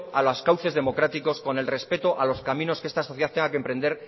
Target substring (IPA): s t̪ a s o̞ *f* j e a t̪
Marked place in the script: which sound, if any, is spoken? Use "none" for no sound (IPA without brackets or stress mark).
θ